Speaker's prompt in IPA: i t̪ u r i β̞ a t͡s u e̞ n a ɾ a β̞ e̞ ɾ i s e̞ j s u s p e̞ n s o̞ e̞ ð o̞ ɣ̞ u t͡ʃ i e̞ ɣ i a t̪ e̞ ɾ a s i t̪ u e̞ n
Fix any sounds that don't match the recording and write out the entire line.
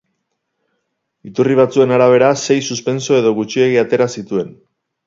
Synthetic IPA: i t̪ u r i β̞ a t͡s u e̞ n a ɾ a β̞ e̞ ɾ a s e̞ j s u s p e̞ n s o̞ e̞ ð o̞ ɣ̞ u t͡ʃ i e̞ ɣ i a t̪ e̞ ɾ a s i t̪ u e̞ n